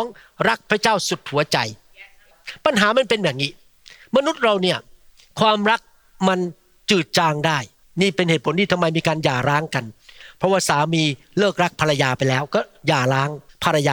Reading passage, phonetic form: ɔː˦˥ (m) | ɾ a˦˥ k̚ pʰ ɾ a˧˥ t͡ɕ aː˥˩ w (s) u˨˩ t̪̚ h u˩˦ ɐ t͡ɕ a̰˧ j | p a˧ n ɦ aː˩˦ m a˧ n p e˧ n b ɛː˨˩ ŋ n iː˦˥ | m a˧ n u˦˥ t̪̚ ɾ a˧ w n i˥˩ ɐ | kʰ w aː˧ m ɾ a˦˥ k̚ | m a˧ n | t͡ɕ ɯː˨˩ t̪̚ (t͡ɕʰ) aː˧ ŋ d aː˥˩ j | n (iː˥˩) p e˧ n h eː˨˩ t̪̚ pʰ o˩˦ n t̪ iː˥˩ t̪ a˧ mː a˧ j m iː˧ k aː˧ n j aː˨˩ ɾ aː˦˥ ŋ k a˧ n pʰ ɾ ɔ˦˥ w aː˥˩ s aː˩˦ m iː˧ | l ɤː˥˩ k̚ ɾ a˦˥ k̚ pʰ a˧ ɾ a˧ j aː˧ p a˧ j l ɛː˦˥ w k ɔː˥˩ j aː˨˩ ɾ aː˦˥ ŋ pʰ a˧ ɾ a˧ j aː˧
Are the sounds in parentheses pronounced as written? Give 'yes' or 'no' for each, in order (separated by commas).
no, yes, no, yes